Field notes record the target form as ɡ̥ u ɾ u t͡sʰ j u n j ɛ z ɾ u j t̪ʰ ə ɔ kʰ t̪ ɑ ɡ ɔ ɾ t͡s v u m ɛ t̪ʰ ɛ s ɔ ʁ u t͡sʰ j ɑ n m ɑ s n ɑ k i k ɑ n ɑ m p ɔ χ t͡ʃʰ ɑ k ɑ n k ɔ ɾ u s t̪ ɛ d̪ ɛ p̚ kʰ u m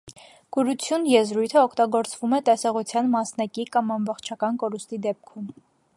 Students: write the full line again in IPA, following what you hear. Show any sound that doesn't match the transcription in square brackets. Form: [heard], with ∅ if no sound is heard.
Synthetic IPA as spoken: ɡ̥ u ɾ u t͡sʰ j u n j ɛ z ɾ u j t̪ʰ ə ɔ kʰ t̪ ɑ ɡ ɔ ɾ t͡s v u m ɛ [t̪] ɛ s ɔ ʁ u t͡sʰ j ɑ n m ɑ s n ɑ k i k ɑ [m] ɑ m [b] ɔ χ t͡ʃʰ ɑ k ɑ n k ɔ ɾ u s t̪ [i] d̪ ɛ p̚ kʰ u m